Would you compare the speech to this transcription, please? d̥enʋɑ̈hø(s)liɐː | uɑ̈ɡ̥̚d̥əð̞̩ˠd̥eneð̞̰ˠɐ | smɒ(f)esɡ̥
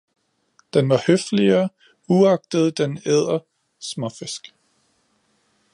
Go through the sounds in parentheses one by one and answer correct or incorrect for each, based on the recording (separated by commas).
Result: incorrect, correct